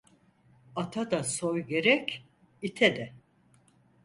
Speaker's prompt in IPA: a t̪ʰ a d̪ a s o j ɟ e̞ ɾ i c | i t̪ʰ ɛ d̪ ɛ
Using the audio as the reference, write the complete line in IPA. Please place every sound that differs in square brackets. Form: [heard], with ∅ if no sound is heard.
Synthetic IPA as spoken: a t̪ʰ a d̪ a s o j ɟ e̞ ɾ [ɛ] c | i t̪ʰ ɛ d̪ ɛ